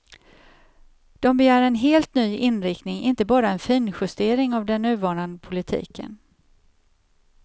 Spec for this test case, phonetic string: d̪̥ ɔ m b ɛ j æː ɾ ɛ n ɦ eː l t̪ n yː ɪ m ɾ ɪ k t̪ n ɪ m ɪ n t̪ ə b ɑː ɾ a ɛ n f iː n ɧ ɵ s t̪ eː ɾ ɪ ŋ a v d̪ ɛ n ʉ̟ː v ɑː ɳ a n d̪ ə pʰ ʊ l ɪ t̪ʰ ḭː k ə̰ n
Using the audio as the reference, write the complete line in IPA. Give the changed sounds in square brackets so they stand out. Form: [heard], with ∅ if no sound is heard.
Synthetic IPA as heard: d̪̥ ɔ m b ɛ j æː ɾ ɛ n ɦ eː l t̪ n yː ɪ [n] ɾ ɪ k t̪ n ɪ [ŋ] ɪ n t̪ ə b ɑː ɾ a ɛ n f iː n ɧ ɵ s t̪ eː ɾ ɪ ŋ a v d̪ ɛ [nː] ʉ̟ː v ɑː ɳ a n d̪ ə pʰ ʊ l ɪ t̪ʰ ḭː k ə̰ n